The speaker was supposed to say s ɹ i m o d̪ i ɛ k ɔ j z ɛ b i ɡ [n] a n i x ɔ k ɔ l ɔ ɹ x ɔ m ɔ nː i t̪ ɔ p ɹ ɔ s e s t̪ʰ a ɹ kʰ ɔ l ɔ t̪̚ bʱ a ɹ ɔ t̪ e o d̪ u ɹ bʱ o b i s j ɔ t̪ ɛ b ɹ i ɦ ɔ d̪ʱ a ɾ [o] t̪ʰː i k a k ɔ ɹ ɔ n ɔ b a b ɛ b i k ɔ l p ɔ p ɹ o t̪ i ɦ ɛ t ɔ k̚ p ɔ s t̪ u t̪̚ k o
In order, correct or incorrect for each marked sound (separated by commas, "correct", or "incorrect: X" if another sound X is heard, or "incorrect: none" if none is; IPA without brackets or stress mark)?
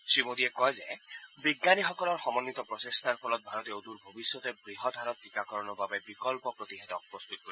correct, incorrect: ɔ